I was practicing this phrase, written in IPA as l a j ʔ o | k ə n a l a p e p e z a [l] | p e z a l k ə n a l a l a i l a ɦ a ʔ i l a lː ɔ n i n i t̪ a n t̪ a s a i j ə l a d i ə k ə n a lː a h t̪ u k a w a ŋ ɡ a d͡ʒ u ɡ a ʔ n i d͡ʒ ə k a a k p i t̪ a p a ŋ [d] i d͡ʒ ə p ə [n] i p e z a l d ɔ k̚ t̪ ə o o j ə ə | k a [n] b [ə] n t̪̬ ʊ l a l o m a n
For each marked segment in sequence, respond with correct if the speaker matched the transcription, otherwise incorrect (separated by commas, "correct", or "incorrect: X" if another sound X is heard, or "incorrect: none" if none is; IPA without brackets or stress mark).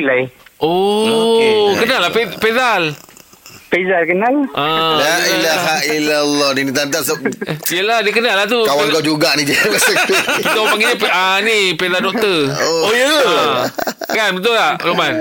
correct, incorrect: ɡ, correct, correct, correct